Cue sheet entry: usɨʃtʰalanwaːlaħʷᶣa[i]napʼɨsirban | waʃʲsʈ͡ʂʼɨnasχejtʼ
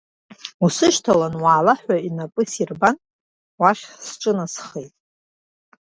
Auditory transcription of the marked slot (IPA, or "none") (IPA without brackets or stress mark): i